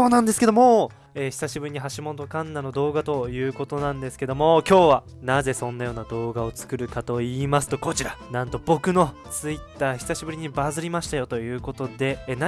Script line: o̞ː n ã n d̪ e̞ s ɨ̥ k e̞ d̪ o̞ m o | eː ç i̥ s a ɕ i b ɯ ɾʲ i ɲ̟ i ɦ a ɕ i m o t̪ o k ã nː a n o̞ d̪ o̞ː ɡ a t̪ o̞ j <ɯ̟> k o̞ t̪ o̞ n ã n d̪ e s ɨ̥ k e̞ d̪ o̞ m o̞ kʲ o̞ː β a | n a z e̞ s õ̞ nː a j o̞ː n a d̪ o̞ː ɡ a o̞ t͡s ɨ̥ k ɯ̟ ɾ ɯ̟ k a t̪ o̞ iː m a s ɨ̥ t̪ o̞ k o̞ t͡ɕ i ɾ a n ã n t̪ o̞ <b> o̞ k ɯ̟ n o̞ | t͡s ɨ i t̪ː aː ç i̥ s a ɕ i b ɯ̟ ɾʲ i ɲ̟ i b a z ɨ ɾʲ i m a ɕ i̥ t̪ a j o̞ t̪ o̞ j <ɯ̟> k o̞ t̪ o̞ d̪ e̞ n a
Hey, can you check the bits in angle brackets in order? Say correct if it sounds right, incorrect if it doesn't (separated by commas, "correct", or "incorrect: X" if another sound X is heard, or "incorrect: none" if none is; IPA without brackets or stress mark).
incorrect: ɯ̟ː, correct, incorrect: ɯ̟ː